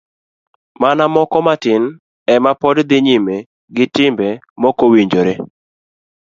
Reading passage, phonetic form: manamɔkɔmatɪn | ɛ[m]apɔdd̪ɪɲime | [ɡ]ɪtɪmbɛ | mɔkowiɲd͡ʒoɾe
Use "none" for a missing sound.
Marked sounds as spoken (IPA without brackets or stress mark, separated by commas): m, ɡ